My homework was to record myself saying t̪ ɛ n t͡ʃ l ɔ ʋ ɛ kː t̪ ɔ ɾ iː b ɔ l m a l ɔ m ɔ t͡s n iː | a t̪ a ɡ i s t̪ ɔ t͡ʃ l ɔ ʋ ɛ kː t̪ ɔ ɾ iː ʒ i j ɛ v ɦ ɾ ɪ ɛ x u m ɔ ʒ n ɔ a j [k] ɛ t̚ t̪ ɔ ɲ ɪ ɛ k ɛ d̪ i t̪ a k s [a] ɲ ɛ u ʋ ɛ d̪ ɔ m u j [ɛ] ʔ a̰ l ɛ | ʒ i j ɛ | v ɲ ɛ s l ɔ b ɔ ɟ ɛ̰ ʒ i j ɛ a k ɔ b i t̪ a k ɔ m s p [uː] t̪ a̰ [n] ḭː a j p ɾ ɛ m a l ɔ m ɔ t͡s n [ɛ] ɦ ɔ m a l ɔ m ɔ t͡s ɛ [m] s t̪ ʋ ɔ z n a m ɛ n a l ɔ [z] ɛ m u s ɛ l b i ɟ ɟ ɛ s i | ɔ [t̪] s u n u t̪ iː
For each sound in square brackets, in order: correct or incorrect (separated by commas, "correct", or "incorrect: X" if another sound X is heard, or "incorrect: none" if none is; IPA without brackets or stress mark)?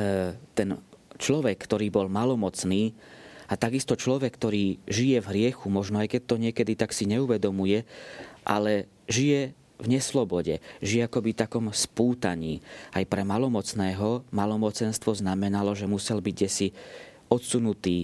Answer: correct, incorrect: i, correct, correct, incorrect: ɲ, incorrect: ɛː, incorrect: n, incorrect: ʒ, correct